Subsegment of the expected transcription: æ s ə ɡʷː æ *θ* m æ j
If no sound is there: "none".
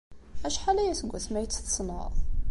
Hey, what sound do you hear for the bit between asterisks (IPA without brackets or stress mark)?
θ